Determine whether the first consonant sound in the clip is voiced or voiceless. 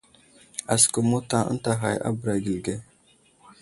voiceless